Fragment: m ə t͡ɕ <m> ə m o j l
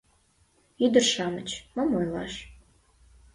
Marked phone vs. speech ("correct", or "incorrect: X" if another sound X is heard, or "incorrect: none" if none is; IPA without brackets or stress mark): correct